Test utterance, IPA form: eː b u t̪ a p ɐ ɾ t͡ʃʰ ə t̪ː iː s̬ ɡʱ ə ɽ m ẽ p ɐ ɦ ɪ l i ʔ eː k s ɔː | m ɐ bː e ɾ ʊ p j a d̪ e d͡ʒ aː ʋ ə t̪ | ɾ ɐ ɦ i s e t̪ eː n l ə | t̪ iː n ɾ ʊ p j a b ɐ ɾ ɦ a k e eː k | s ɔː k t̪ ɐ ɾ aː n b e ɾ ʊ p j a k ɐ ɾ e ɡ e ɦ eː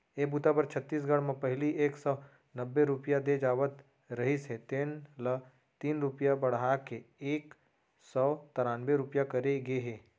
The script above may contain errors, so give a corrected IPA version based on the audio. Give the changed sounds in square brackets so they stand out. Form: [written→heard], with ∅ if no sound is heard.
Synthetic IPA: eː b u t̪ a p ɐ ɾ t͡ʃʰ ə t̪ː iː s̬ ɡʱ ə ɽ m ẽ p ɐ ɦ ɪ l i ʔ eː k s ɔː | [m→n] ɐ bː e ɾ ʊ p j a d̪ e d͡ʒ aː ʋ ə t̪ | ɾ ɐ ɦ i s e t̪ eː n l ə | t̪ iː n ɾ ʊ p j a b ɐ [ɾ→ɽ] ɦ a k e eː k | s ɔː [k→∅] t̪ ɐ ɾ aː n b e ɾ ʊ p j a k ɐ ɾ e ɡ e ɦ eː